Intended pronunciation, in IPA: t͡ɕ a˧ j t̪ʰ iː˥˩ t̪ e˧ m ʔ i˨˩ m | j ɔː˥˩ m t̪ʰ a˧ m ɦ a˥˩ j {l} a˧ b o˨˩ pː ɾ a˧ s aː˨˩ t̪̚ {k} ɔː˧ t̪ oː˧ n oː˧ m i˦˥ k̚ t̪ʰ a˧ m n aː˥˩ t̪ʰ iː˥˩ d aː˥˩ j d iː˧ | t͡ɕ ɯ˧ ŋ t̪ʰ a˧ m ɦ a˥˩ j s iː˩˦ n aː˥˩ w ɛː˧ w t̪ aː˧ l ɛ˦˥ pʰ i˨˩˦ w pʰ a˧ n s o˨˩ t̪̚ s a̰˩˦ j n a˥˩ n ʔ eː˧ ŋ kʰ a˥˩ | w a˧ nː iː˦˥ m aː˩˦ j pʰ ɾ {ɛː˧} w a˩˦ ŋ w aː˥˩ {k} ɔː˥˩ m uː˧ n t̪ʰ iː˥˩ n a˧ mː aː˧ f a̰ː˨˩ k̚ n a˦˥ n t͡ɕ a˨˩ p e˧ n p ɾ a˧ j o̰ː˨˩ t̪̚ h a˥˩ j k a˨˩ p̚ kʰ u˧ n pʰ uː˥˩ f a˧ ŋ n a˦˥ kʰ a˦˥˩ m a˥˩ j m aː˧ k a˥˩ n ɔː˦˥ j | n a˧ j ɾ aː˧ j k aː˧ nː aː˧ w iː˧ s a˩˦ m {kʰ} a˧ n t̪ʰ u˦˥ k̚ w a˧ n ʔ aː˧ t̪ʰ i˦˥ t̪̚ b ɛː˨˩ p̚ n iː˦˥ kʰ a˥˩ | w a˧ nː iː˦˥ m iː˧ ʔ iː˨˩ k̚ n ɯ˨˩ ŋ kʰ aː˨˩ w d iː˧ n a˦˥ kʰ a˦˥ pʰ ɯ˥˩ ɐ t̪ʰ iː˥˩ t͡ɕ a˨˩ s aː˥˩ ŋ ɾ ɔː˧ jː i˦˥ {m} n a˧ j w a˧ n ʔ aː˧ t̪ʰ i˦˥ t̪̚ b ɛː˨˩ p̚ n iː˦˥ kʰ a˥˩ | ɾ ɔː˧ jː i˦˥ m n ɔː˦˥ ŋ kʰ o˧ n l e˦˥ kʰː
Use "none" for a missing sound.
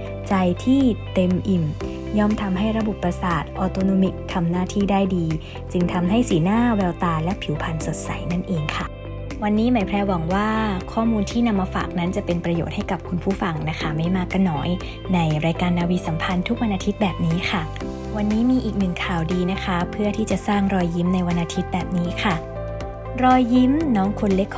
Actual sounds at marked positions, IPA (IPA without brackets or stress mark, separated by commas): ɾ, ʔ, ɛː˧, kʰ, pʰ, m